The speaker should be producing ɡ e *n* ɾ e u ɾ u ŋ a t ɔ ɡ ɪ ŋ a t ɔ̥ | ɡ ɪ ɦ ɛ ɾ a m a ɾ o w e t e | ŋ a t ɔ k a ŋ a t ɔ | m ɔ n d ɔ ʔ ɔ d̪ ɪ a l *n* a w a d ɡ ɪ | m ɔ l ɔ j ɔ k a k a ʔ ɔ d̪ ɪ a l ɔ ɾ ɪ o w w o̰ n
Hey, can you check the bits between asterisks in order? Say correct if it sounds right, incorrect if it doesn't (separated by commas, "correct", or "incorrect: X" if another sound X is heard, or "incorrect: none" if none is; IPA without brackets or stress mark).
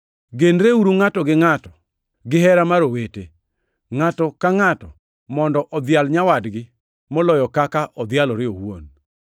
correct, incorrect: ɲ